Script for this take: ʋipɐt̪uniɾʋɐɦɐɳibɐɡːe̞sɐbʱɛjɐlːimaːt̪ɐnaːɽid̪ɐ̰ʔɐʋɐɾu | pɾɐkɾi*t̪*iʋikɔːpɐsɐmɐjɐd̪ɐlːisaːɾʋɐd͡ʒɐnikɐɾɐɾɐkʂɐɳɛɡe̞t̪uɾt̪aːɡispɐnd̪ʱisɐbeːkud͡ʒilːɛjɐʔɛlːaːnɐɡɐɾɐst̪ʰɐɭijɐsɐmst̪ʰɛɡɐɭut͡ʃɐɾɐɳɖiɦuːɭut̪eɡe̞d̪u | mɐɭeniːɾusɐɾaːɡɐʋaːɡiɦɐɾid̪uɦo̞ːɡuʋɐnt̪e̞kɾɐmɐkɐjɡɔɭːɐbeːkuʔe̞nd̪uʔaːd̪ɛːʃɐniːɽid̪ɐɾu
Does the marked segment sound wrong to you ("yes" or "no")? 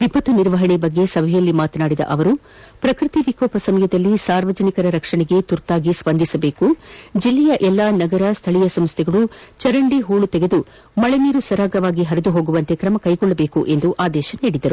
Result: no